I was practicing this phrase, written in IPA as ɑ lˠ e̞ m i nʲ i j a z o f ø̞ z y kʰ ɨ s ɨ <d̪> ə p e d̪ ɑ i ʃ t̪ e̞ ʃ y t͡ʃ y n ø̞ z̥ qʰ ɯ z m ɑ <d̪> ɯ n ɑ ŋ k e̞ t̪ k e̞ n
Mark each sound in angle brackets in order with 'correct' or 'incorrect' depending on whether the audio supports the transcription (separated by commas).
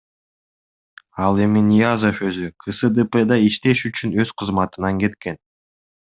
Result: correct, incorrect